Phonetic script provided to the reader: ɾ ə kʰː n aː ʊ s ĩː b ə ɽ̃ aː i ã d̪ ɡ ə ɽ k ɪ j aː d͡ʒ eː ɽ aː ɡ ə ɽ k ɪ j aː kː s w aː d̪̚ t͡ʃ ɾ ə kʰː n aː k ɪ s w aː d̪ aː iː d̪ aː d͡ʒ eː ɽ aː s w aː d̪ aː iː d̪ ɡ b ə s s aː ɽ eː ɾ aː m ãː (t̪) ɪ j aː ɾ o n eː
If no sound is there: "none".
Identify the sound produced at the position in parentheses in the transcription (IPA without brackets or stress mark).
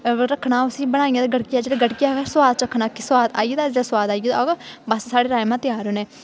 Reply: t̪